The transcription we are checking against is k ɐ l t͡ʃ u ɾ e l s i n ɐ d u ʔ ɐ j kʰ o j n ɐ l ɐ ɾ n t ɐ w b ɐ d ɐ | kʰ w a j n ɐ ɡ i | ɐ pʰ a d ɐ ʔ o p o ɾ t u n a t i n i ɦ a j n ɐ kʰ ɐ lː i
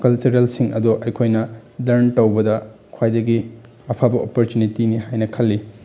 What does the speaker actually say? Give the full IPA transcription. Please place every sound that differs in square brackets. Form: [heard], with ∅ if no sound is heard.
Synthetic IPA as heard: k ɐ l t͡ʃ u ɾ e l s i [ŋ] ɐ d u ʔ ɐ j kʰ o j n ɐ l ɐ ɾ n t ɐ w b ɐ d ɐ | kʰ w a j [d] ɐ ɡ i | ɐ pʰ a [b] ɐ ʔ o p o ɾ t u n [i] t i n i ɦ a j n ɐ kʰ ɐ lː i